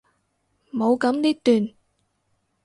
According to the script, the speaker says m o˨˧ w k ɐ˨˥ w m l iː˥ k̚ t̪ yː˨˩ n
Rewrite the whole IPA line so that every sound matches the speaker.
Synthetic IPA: m o˨˧ w k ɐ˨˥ m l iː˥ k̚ t̪ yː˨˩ n